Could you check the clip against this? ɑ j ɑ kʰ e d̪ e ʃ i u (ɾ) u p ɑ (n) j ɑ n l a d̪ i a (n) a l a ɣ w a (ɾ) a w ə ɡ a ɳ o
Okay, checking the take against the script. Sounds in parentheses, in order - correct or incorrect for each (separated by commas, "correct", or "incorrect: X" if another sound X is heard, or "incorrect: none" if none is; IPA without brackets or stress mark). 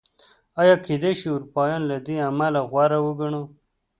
correct, incorrect: none, incorrect: m, correct